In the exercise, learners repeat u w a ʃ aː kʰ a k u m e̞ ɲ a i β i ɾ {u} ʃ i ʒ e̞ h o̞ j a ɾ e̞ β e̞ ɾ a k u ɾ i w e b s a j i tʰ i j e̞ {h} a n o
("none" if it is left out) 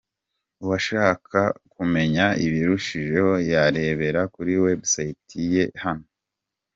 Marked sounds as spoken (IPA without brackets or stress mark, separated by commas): u, h